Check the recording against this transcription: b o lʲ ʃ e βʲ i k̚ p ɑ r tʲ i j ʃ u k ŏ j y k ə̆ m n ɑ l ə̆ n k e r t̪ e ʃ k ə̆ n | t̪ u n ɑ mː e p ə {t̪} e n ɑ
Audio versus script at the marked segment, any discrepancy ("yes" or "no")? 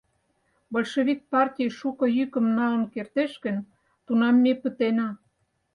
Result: no